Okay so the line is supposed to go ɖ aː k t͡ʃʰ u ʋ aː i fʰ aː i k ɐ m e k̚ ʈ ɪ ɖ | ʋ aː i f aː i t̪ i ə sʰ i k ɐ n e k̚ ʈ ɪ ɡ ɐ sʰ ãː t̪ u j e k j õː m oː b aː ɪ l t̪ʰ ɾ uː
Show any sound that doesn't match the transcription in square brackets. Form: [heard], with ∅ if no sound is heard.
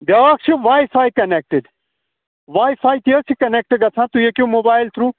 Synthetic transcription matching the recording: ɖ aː k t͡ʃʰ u ʋ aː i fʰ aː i k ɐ [n] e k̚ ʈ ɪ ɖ | ʋ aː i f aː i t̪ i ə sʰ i k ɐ n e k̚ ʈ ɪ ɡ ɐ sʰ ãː t̪ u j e k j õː m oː b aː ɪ l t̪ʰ ɾ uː